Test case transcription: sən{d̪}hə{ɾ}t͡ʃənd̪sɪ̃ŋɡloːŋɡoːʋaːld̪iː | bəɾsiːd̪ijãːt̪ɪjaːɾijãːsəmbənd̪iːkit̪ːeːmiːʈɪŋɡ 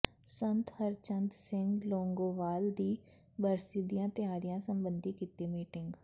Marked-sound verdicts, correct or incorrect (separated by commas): incorrect, correct